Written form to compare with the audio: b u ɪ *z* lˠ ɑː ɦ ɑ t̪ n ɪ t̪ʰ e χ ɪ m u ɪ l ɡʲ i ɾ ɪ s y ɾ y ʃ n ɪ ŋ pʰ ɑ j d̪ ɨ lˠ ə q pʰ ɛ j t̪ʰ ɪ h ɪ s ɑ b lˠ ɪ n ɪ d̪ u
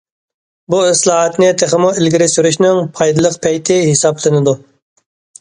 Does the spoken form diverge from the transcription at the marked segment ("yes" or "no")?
yes